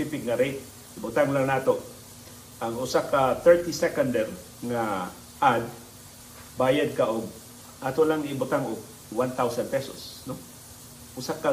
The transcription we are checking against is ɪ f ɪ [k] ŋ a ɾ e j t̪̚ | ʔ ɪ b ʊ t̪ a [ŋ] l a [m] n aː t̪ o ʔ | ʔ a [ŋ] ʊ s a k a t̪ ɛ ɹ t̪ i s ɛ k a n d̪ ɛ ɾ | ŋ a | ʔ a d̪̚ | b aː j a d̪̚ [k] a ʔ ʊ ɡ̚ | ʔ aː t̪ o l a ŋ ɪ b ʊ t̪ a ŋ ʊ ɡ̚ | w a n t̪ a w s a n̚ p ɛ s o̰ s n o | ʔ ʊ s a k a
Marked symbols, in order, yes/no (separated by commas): yes, yes, no, yes, yes